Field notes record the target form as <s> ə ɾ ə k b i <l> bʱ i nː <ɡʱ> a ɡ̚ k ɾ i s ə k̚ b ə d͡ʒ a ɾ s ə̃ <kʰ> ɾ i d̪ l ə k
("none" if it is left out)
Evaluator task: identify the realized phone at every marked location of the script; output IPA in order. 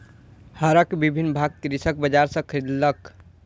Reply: h, none, bʱ, kʰ

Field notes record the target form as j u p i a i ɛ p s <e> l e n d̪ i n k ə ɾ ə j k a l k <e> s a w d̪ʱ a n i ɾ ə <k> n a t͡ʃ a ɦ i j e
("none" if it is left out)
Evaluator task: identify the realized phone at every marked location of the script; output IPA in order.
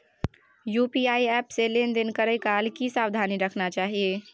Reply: e, i, kʰ

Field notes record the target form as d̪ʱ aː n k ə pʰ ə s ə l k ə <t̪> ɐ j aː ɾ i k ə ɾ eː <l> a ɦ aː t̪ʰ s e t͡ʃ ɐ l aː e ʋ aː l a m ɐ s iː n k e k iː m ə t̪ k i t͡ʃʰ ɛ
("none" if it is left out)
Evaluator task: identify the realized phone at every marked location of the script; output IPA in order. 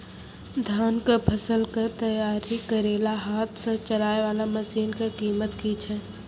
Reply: t̪, l

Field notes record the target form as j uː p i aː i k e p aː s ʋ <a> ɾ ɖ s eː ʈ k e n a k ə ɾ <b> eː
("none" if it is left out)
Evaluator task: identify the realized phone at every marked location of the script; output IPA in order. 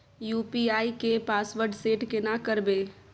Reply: ə, b

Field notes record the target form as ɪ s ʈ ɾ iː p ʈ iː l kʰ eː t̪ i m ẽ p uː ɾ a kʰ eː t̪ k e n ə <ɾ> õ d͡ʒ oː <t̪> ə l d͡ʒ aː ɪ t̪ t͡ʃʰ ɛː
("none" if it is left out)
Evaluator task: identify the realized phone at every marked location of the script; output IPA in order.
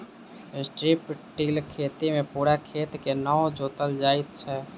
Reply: none, t̪

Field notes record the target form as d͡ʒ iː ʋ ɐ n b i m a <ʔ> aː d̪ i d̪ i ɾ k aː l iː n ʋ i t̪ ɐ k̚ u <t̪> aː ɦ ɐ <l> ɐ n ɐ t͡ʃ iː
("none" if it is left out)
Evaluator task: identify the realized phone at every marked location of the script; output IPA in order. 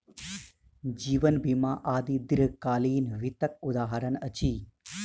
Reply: ʔ, d̪, ɾ

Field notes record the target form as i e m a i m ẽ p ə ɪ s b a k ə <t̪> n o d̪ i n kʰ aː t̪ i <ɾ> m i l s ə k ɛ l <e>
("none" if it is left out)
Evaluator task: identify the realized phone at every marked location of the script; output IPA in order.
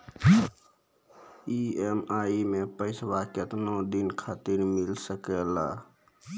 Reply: t̪, ɾ, a

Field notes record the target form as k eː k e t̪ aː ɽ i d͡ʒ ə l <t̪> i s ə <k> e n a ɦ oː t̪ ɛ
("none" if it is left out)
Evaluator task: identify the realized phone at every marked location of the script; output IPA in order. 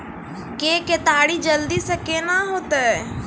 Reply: d̪, k

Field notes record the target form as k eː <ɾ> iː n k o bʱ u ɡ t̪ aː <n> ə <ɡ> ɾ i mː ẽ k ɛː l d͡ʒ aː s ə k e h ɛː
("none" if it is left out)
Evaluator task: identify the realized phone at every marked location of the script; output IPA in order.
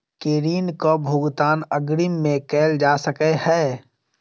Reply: ɾ, n, ɡ

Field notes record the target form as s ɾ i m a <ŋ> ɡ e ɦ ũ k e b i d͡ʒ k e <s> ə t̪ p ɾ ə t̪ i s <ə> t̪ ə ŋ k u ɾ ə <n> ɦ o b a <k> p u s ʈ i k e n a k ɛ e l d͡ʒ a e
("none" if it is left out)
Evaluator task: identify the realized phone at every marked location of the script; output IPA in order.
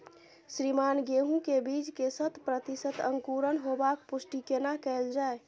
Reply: n, s, ə, n, k

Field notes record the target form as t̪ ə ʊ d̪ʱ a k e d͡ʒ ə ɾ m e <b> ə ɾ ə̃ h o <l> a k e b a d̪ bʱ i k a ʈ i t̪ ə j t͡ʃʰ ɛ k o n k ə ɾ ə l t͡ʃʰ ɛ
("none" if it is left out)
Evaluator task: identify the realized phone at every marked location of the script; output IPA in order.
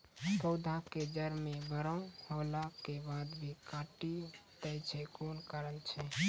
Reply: b, l

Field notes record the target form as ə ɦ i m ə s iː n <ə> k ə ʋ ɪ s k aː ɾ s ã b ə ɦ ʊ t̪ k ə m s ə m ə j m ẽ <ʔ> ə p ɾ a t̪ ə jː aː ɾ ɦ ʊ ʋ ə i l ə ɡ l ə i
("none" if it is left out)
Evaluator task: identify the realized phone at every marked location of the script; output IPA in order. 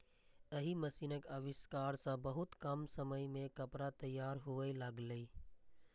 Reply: ə, k

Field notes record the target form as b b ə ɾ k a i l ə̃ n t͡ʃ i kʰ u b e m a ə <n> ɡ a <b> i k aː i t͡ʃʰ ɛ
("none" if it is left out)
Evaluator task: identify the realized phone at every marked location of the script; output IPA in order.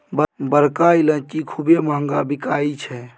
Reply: ŋ, b

